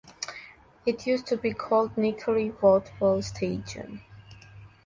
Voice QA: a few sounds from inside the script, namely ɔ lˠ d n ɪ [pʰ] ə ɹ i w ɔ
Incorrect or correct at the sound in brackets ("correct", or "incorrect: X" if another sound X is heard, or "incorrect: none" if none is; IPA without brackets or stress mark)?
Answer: incorrect: kʰ